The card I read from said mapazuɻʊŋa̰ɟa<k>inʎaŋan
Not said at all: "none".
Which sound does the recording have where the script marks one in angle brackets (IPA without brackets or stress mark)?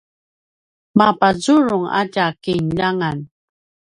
k